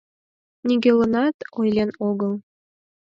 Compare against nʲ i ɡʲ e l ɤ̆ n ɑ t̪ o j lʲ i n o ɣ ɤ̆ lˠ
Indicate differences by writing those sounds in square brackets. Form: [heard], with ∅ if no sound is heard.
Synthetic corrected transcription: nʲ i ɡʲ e l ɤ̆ n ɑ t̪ o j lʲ [e] n o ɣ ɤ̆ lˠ